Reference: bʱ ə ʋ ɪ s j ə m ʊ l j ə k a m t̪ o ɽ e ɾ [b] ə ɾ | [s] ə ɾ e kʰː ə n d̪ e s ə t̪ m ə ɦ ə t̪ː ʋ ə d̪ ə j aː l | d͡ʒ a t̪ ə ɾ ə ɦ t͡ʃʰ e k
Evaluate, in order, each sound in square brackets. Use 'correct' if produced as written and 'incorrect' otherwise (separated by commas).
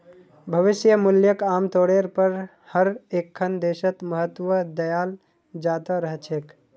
incorrect, incorrect